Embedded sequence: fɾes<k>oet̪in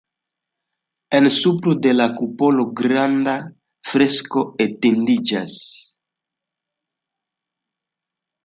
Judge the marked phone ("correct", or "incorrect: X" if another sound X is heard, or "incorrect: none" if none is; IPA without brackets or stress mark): correct